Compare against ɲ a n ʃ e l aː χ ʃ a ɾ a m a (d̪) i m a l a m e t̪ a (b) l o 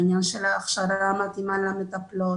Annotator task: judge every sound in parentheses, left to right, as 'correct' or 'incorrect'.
incorrect: t̪, incorrect: p

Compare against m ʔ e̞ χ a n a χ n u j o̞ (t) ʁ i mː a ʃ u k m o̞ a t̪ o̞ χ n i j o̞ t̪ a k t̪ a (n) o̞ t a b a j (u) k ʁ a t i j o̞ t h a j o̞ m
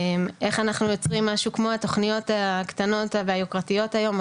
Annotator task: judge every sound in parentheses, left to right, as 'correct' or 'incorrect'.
incorrect: t͡s, correct, incorrect: o

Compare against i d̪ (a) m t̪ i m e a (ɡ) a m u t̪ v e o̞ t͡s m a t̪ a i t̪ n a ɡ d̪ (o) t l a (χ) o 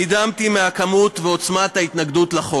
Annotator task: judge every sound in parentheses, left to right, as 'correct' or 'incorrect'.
correct, incorrect: k, incorrect: u, correct

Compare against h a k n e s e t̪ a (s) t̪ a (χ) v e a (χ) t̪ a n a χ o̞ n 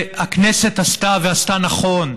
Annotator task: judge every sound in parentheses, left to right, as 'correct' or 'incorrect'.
correct, incorrect: none, incorrect: s

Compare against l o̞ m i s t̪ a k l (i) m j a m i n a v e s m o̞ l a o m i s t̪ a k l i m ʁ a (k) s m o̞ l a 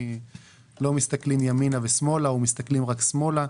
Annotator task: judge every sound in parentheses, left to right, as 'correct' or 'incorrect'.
correct, correct

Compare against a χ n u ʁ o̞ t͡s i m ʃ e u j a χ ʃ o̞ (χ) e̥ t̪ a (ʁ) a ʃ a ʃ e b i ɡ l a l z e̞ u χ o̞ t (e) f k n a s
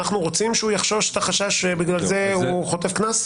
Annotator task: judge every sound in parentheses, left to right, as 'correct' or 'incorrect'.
incorrect: ʃ, incorrect: χ, correct

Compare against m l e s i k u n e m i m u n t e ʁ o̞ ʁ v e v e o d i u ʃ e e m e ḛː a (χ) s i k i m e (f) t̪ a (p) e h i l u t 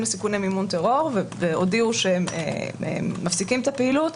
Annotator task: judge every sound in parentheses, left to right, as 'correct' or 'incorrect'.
incorrect: f, incorrect: none, correct

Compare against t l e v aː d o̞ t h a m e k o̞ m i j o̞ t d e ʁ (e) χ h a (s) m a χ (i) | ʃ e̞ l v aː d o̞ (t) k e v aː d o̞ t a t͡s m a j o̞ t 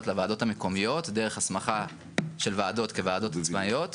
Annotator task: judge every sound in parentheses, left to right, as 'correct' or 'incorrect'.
correct, correct, incorrect: a, correct

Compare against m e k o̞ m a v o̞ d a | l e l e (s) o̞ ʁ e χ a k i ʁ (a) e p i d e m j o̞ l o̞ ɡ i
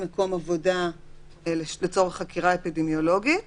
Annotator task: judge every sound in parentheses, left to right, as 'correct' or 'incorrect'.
incorrect: t͡s, correct

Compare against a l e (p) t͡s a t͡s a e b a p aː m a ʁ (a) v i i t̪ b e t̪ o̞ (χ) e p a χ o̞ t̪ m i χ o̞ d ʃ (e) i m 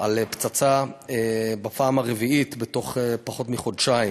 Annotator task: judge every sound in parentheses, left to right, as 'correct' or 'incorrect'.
correct, incorrect: e, correct, incorrect: a

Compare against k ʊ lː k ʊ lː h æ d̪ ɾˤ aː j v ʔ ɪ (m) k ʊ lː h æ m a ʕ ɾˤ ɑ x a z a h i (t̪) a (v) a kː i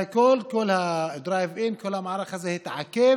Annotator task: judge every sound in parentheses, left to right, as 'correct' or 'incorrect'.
incorrect: n, correct, incorrect: ʕ

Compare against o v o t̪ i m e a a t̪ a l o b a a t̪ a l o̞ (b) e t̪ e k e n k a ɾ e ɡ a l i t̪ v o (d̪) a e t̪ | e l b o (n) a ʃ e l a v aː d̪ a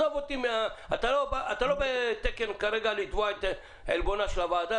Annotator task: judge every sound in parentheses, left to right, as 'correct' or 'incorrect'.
correct, incorrect: none, correct

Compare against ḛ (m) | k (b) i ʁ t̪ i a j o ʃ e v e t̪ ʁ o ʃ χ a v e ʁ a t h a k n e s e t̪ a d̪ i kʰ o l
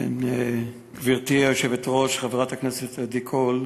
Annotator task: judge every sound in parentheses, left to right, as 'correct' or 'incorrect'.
incorrect: n, incorrect: v

